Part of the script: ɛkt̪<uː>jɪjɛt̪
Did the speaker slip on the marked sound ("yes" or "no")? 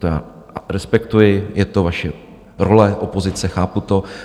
yes